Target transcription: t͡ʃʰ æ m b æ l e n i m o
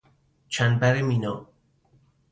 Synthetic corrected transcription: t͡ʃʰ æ n b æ ɾ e m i n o

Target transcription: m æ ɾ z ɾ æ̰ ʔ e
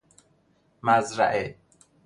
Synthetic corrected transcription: m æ z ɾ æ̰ ʔ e

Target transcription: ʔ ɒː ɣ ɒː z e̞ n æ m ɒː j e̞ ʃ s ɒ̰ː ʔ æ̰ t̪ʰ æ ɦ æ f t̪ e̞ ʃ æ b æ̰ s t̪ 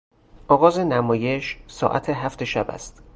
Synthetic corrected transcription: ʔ ɒː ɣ ɒː z e̞ n æ m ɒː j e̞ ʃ s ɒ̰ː ʔ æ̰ t̪ʰ e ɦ æ f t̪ e̞ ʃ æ b æ̰ s t̪

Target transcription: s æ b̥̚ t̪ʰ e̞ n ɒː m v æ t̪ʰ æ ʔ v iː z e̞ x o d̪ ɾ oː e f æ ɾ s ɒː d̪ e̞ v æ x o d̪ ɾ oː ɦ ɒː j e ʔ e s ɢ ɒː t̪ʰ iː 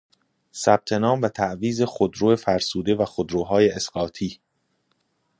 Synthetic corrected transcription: s æ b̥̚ t̪ʰ e̞ n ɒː m v æ t̪ʰ æ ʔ v iː z e̞ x o d̪ ɾ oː e f æ ɾ s uː d̪ e̞ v æ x o d̪ ɾ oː ɦ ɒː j e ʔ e s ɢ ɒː t̪ʰ iː

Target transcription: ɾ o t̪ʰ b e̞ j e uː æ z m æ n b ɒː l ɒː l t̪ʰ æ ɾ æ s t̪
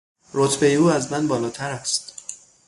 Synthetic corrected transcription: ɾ o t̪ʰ b e̞ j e uː æ z m æ n b ɒː l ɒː t̪ʰ æ ɾ æ s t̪

